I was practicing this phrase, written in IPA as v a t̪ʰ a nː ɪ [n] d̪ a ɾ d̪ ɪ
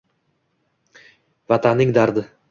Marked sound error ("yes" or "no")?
yes